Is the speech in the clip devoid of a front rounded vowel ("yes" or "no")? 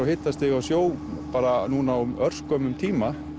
no